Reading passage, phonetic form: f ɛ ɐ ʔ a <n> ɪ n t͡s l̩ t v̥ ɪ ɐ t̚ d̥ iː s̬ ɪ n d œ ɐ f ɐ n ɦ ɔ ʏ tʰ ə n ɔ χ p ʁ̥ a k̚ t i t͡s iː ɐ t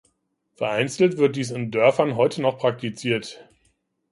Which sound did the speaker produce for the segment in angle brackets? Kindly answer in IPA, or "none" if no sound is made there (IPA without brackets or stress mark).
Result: none